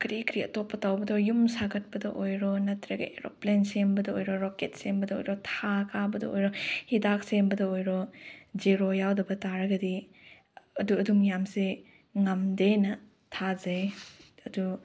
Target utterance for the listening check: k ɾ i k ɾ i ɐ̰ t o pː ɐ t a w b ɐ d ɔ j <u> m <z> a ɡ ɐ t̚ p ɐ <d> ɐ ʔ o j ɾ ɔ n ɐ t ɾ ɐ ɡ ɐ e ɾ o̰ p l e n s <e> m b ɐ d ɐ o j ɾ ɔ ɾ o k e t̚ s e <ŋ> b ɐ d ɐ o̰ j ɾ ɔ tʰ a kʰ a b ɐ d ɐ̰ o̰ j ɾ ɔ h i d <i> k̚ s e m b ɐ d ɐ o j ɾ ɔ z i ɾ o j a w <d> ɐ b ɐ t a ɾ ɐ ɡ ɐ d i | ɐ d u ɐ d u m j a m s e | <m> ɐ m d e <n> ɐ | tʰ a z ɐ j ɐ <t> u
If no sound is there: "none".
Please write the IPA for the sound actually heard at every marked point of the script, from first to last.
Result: u, s, d, e, m, a, d, ŋ, n, d

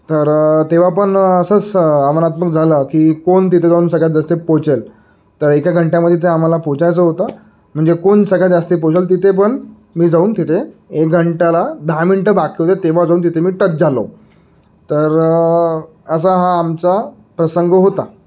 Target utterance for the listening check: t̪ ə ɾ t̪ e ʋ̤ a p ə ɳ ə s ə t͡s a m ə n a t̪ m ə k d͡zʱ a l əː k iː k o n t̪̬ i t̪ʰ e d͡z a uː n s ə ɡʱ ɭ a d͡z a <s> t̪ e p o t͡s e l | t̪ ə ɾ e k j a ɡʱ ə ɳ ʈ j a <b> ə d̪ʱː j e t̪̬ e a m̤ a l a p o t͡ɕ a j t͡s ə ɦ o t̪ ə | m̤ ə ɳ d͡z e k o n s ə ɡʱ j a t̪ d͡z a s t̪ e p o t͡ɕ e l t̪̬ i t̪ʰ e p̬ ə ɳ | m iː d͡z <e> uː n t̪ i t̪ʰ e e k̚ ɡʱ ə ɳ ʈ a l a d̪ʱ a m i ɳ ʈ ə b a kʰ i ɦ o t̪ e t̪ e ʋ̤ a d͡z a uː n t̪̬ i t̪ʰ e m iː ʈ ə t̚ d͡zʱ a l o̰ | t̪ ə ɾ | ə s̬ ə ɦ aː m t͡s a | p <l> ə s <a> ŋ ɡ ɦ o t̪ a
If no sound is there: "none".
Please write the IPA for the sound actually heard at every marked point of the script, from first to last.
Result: s, m, a, ɾ, ə

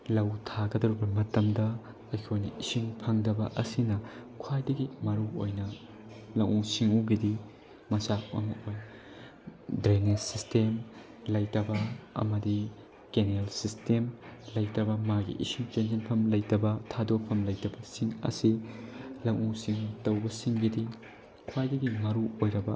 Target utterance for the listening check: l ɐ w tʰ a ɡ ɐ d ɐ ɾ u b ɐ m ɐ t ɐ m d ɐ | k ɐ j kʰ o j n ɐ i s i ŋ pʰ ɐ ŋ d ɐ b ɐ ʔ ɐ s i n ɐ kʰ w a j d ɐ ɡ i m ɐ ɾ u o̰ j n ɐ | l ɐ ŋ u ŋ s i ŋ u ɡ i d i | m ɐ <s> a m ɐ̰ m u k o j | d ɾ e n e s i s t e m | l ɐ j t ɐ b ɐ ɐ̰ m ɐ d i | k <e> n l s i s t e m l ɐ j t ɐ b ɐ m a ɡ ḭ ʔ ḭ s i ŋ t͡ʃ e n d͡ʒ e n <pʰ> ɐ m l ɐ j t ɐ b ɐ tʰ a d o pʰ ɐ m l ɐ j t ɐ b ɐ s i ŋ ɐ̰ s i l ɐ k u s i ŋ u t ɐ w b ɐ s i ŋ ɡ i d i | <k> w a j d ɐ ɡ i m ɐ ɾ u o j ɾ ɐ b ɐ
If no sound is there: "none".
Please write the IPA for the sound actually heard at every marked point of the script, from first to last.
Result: s, e, pʰ, kʰ

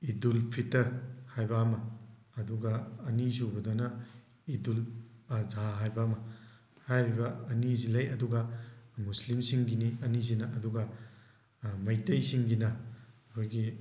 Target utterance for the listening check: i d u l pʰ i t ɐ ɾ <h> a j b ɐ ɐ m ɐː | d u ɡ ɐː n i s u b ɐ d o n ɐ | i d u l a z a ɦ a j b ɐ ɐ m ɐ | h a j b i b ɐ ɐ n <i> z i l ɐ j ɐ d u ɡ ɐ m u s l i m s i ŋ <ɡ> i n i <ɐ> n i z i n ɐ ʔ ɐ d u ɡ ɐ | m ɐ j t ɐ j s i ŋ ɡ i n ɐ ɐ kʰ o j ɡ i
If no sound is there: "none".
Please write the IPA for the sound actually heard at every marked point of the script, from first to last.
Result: h, i, ɡ, ɐ

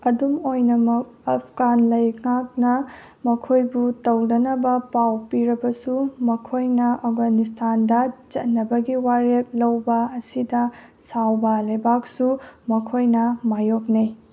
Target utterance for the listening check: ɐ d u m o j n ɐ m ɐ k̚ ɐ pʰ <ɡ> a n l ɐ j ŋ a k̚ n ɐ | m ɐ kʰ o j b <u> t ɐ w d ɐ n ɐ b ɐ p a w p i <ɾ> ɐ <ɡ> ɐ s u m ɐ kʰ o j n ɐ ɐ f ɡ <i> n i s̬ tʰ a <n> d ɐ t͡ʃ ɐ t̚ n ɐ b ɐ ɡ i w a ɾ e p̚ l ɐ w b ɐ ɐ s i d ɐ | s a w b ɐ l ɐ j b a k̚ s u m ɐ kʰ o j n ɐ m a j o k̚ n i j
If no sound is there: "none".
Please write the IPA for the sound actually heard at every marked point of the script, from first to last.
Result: ɡ, u, ɾ, b, a, n

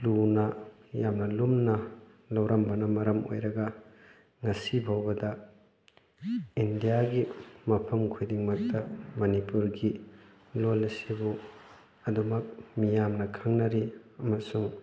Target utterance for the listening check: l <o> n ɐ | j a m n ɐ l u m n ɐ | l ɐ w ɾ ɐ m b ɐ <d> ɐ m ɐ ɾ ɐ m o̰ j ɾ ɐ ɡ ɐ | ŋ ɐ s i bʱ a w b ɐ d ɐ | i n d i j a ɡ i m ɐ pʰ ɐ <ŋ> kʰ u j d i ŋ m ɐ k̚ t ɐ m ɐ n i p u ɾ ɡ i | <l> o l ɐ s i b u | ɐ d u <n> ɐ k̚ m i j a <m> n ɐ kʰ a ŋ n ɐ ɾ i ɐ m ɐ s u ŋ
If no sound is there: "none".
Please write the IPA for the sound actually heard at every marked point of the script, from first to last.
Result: u, n, m, l, m, m

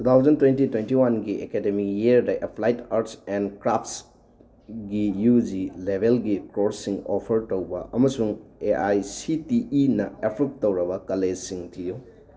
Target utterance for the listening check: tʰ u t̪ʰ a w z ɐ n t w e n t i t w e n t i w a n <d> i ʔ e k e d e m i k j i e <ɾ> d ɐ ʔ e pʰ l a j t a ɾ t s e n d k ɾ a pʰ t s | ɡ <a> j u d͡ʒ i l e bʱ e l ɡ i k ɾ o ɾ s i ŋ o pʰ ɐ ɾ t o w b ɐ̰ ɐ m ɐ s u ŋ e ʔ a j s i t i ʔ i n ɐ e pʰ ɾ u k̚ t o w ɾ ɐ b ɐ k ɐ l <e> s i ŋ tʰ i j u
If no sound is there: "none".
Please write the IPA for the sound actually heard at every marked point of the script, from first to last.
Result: ɡ, ɾ, i, e

